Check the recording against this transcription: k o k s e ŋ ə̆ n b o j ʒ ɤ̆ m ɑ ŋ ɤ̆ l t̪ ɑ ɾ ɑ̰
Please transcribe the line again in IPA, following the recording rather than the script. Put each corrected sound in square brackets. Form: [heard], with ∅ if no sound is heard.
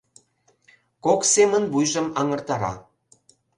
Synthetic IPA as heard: k o k s e [m] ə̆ n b [u] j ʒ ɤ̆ m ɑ ŋ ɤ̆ [r] t̪ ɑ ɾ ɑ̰